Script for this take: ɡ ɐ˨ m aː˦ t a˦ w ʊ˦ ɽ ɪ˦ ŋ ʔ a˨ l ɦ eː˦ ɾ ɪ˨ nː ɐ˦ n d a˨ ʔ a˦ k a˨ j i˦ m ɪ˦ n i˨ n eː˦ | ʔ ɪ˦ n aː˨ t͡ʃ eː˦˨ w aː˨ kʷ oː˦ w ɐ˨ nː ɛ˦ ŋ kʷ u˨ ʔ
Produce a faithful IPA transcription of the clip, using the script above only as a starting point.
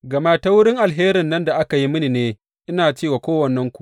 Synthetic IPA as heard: ɡ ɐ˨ m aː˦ t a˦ w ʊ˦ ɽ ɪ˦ ŋ ʔ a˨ l ɦ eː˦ ɾ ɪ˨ nː ɐ˦ n d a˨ ʔ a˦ k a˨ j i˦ m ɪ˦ n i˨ n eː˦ | ʔ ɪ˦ n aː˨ t͡ʃ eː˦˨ w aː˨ kʷ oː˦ w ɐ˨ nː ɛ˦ ŋ kʷ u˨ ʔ